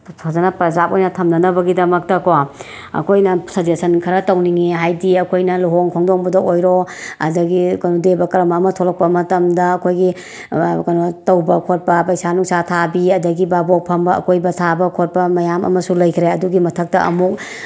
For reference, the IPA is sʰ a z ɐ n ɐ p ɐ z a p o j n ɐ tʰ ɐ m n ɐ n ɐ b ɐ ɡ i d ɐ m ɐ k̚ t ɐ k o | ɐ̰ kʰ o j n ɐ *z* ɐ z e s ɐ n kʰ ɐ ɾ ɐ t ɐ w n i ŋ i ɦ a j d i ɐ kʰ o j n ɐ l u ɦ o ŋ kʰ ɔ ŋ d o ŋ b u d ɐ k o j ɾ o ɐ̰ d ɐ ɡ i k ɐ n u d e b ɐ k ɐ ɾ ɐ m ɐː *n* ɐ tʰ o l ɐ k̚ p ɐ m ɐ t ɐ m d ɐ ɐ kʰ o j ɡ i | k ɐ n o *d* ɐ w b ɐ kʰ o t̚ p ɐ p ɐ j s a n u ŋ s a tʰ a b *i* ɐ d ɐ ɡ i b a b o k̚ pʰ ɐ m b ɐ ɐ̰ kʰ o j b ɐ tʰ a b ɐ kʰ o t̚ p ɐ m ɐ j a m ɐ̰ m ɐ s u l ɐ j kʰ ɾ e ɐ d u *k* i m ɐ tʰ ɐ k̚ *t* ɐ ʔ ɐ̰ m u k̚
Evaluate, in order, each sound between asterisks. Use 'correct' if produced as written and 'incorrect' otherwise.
incorrect: s, incorrect: m, incorrect: t, correct, incorrect: ɡ, correct

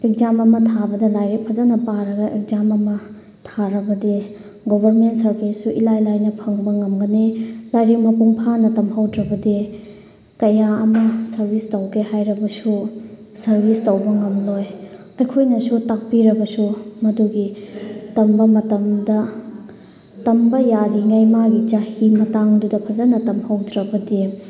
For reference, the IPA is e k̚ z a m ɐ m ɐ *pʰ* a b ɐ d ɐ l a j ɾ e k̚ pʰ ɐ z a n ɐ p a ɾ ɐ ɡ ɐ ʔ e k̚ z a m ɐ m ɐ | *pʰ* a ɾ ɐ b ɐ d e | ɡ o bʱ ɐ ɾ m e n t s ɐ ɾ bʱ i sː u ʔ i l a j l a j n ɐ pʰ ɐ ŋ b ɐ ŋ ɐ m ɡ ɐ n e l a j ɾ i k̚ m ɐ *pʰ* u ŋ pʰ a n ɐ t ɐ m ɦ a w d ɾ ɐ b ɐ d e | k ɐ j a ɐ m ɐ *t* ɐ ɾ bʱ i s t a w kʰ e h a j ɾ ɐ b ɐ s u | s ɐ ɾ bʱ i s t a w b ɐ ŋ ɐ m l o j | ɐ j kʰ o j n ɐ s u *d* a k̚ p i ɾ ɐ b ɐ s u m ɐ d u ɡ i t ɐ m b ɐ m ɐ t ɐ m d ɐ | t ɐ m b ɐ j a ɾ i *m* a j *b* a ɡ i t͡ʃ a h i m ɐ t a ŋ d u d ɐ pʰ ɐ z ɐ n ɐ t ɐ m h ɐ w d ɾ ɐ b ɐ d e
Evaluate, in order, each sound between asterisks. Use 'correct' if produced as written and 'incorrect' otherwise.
incorrect: tʰ, incorrect: tʰ, incorrect: p, incorrect: s, incorrect: t, incorrect: ŋ, incorrect: m

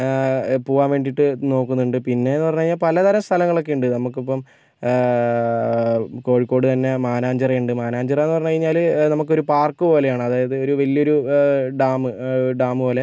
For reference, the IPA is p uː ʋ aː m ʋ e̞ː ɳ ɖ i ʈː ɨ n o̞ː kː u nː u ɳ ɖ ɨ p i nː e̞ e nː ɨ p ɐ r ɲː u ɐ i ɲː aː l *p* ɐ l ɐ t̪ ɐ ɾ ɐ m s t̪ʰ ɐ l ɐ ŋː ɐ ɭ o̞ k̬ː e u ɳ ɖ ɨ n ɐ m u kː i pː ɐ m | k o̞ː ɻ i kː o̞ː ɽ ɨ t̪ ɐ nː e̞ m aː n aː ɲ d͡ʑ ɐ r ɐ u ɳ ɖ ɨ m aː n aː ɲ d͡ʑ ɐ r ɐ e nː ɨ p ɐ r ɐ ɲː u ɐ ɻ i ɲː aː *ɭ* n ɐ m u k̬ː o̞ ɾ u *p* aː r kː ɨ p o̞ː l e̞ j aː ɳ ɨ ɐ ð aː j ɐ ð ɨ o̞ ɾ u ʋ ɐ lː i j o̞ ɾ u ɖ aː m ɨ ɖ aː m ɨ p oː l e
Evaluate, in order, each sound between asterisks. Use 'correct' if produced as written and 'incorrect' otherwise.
correct, incorrect: l, correct

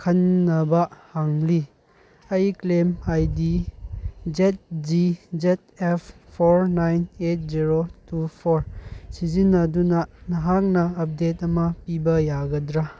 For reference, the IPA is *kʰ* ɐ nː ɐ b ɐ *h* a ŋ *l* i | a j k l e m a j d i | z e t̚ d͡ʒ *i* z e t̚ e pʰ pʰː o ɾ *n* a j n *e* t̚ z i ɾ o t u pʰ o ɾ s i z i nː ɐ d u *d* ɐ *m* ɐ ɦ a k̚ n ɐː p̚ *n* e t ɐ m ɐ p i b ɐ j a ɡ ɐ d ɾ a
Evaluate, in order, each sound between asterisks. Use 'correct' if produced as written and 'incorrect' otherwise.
correct, correct, correct, correct, correct, correct, incorrect: n, incorrect: n, incorrect: d

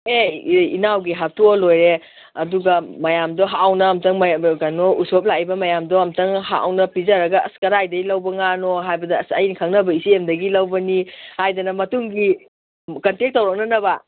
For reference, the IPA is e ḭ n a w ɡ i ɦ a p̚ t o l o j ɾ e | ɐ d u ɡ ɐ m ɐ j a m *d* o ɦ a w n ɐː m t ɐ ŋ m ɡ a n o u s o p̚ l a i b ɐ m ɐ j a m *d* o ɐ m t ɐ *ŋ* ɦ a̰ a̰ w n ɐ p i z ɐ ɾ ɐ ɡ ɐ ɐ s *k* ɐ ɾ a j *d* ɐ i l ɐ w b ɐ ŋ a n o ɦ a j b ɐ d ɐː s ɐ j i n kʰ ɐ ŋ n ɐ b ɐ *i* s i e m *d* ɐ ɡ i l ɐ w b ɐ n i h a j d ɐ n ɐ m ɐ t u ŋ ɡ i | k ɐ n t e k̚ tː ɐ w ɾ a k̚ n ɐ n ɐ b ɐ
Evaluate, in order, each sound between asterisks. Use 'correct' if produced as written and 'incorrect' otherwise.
correct, correct, correct, correct, correct, correct, correct

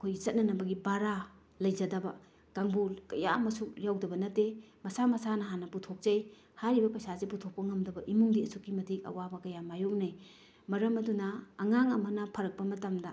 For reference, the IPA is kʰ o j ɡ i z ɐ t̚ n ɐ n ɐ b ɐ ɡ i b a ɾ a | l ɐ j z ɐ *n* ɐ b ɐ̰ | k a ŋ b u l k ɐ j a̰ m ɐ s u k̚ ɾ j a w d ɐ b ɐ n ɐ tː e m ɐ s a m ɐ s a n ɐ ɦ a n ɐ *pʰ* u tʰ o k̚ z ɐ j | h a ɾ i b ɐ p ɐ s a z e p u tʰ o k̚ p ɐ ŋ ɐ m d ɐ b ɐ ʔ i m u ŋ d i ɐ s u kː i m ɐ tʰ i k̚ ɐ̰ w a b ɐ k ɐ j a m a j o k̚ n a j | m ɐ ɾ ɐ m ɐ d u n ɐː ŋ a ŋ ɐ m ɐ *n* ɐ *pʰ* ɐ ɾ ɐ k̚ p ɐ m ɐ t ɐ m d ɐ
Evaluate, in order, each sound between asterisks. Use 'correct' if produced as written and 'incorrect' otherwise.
incorrect: d, incorrect: p, correct, correct

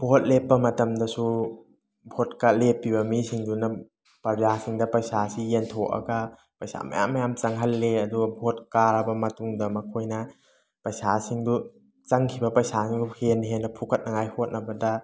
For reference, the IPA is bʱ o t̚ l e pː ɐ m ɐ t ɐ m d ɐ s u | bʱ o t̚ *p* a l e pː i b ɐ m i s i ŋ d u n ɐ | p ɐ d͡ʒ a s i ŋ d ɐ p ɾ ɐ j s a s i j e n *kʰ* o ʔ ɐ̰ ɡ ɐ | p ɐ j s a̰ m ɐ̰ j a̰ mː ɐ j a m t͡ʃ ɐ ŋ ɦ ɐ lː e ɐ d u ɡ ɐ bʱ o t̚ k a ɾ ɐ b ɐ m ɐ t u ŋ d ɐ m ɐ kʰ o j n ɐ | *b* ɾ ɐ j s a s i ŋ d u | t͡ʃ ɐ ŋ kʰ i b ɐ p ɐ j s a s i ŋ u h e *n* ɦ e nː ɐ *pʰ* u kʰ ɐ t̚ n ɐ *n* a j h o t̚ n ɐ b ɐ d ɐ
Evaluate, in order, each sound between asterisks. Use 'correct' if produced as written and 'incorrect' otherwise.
incorrect: k, incorrect: tʰ, incorrect: p, correct, correct, incorrect: ŋ

